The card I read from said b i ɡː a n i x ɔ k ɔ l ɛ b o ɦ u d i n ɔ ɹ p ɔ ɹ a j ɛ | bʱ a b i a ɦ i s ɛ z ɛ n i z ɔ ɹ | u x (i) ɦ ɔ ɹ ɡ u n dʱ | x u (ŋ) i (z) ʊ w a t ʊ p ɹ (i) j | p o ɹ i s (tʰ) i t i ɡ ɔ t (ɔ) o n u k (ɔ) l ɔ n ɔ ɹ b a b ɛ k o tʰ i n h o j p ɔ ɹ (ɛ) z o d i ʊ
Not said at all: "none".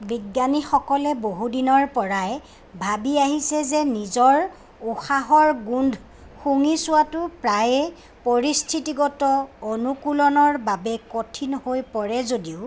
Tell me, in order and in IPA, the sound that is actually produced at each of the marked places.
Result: a, ŋ, s, a, tʰ, ɔ, u, ɛ

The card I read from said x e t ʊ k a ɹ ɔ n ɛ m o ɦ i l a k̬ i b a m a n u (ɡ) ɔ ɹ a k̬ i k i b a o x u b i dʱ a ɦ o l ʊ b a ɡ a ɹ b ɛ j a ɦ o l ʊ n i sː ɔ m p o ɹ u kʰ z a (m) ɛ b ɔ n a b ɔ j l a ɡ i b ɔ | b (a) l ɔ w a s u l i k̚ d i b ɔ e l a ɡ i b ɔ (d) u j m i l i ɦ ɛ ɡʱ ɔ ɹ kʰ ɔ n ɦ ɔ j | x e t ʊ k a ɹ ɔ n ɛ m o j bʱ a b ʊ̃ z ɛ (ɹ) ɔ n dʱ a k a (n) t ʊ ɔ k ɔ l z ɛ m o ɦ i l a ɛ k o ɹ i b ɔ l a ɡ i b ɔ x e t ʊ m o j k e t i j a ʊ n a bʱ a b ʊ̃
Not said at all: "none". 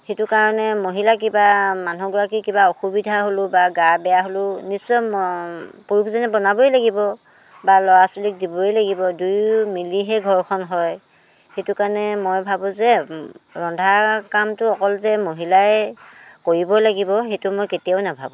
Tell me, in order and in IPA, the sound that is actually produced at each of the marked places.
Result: ɡ, n, a, d, ɹ, m

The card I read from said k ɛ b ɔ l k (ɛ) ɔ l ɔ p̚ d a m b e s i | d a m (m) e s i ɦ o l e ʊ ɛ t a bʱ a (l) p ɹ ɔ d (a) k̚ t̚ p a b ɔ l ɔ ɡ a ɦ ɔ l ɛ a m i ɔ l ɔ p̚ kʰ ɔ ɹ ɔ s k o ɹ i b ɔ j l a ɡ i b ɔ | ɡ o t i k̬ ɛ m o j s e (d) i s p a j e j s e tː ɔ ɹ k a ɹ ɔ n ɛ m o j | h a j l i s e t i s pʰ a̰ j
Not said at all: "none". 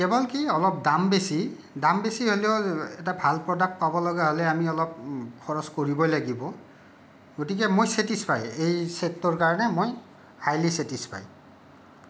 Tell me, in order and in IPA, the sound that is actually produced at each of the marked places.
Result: i, b, l, a, t

